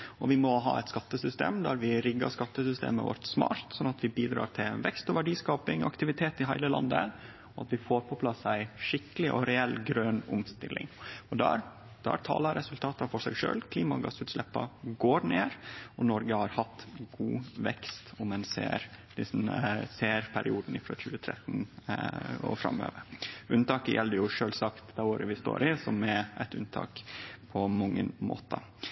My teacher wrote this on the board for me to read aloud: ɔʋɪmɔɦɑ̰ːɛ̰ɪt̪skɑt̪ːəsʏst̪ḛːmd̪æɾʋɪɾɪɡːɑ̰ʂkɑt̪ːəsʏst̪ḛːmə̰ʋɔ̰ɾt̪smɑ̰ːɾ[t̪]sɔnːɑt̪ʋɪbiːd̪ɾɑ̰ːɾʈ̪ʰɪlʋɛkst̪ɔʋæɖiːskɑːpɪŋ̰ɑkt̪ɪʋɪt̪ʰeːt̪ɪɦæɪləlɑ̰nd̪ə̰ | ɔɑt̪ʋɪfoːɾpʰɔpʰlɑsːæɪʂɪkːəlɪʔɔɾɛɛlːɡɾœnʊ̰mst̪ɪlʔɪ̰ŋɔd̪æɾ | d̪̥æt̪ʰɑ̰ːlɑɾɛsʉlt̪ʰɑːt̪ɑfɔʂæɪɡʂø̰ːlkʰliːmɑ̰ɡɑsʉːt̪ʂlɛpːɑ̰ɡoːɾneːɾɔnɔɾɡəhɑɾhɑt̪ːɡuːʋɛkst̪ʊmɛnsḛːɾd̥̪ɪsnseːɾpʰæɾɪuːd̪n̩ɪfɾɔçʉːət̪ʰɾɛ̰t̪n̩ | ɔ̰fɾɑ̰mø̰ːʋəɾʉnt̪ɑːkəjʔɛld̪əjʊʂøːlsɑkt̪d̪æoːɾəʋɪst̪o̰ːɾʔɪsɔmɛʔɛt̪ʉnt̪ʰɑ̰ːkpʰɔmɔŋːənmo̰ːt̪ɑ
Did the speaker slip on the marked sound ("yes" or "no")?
no